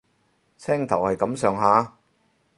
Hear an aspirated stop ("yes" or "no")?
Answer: yes